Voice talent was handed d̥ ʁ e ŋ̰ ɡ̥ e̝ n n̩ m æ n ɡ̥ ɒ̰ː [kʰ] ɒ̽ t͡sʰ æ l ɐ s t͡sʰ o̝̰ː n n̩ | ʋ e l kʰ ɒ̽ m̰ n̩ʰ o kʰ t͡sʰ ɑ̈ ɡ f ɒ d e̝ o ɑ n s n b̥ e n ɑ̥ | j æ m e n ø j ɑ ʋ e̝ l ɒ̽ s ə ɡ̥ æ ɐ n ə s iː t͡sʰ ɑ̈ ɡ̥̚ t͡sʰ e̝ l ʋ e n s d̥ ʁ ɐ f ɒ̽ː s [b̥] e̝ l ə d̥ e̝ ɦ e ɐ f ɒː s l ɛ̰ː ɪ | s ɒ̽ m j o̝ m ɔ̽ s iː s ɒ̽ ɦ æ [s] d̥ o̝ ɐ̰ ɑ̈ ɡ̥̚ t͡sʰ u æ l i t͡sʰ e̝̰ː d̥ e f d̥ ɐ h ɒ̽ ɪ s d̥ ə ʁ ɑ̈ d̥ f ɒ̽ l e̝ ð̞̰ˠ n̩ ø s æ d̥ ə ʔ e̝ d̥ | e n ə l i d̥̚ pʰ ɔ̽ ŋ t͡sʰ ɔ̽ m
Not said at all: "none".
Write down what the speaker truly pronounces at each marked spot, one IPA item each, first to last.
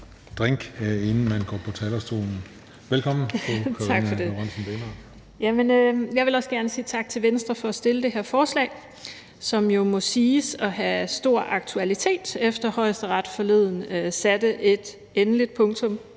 pʰ, d̥, s

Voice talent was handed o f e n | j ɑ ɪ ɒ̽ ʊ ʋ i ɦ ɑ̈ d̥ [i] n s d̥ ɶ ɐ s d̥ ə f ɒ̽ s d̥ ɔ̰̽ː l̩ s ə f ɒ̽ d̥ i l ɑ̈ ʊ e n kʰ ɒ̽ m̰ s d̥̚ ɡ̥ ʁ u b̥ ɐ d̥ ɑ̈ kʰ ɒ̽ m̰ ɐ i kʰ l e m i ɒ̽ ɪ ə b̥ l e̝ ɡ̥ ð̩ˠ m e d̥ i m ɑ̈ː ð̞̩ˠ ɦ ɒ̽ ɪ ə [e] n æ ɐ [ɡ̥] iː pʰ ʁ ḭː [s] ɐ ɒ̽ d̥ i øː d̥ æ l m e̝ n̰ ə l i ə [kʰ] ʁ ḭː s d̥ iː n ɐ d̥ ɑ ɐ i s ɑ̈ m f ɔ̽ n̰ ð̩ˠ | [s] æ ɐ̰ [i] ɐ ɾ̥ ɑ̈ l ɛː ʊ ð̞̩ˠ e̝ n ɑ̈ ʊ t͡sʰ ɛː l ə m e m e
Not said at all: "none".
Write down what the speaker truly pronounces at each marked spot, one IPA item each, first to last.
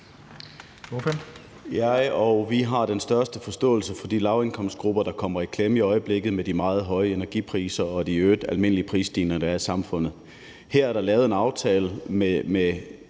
e, e, ɡ̥, s, pʰ, h, æ

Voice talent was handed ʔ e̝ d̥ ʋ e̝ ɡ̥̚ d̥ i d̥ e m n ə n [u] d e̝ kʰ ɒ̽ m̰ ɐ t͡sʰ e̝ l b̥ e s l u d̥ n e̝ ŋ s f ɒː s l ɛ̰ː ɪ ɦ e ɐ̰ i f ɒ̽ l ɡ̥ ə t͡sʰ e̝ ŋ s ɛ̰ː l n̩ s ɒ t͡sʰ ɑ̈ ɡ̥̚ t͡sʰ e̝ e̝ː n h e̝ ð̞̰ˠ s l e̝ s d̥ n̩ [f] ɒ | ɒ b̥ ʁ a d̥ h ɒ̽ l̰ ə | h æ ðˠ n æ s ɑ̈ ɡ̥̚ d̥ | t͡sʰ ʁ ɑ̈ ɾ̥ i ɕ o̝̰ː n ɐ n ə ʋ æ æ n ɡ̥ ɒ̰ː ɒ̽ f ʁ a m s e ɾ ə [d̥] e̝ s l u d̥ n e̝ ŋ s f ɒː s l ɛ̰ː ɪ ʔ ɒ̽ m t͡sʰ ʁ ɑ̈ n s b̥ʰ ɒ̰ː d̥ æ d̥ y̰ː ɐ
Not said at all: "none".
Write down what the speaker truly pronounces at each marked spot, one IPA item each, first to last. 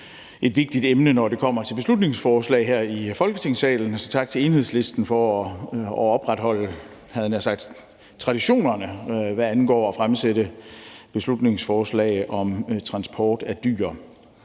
ɒ, f, b̥

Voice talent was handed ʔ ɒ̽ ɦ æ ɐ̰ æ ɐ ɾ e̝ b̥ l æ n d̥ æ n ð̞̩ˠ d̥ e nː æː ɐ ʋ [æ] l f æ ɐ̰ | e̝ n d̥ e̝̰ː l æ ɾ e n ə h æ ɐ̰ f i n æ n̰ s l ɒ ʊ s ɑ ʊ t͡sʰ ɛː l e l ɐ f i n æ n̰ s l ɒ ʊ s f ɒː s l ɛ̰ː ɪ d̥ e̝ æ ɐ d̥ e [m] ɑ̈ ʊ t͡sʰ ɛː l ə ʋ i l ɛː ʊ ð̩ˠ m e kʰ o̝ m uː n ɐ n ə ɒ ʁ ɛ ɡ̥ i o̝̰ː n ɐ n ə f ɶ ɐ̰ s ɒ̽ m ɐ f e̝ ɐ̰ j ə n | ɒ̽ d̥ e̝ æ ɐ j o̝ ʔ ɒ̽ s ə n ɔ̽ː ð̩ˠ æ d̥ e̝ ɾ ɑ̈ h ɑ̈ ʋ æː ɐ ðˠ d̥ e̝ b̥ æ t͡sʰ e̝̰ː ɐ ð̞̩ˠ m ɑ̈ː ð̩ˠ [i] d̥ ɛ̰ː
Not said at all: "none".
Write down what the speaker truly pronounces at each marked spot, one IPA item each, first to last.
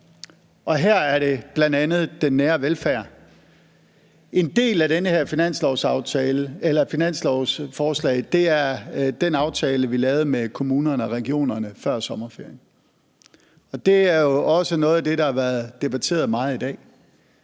e, n, i

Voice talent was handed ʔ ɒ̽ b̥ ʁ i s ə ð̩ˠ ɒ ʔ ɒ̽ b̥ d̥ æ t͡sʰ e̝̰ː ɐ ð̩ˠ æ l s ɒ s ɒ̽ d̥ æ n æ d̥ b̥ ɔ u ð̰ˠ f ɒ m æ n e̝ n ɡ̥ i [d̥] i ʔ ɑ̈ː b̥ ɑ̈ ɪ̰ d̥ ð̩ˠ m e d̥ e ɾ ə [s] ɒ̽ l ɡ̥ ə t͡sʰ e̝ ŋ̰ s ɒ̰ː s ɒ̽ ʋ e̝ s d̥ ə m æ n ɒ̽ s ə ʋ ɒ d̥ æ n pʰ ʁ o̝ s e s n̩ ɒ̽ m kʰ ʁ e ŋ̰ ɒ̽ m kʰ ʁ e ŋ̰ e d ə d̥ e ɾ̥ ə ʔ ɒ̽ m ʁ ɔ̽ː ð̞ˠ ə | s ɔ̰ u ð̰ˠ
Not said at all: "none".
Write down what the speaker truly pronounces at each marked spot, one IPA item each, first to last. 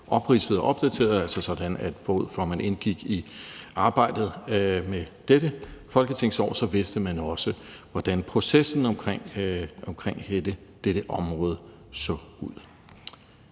ɡ̥, f

